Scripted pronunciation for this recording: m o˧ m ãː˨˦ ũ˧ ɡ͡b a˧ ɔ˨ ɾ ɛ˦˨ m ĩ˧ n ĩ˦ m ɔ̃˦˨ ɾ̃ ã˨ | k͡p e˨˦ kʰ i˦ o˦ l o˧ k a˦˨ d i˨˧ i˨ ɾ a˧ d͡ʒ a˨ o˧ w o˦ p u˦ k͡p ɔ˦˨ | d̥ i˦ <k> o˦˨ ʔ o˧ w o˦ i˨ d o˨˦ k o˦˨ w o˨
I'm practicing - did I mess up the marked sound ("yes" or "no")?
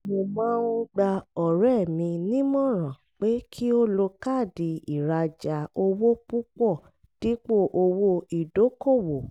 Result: yes